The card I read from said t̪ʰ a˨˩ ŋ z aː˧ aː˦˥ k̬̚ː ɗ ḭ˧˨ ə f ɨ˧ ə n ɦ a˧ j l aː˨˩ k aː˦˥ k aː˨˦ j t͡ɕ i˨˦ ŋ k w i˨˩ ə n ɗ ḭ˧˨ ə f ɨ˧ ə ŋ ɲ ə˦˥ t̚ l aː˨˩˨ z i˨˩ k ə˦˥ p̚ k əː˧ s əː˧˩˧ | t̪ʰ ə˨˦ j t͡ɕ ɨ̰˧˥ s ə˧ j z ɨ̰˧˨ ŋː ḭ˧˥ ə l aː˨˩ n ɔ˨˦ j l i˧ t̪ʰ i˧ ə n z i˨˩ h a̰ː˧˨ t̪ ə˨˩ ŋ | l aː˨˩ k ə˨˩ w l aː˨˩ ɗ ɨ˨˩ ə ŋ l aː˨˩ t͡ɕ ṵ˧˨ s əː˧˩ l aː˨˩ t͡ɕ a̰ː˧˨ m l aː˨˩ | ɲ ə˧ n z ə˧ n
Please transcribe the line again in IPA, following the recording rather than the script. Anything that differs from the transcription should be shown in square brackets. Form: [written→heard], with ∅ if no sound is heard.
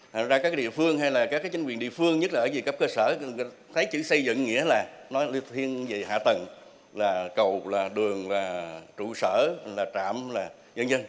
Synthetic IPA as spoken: t̪ʰ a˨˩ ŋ z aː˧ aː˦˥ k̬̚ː ɗ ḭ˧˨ ə f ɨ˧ ə [n→ŋ] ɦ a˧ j l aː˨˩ k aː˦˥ k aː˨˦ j t͡ɕ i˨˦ ŋ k w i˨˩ ə n ɗ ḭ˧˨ ə f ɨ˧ ə ŋ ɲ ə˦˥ t̚ l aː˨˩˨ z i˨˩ k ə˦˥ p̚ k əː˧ s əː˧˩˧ | t̪ʰ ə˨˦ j t͡ɕ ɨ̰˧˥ s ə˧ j z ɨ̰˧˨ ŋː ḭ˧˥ ə l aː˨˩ n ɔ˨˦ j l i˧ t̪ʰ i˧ ə n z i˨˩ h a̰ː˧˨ t̪ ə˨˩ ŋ | l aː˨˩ k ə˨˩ w l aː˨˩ ɗ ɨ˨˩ ə ŋ l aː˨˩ t͡ɕ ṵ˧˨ s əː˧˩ l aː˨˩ t͡ɕ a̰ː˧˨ m l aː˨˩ | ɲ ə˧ n z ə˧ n